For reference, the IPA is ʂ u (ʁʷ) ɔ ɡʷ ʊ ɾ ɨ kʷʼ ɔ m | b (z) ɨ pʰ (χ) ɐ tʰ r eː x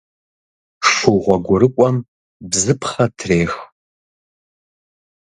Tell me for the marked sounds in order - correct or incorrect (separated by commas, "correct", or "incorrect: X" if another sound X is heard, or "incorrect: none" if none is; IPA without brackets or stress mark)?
correct, correct, correct